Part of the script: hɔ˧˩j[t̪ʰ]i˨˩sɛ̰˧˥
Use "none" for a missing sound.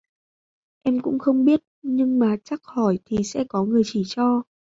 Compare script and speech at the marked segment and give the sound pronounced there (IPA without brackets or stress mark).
t̪ʰ